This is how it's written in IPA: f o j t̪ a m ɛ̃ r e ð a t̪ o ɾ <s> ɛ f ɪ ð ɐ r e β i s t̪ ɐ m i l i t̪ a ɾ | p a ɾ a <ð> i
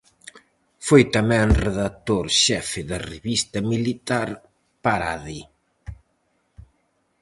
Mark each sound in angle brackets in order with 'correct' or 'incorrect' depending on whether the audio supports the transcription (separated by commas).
incorrect, correct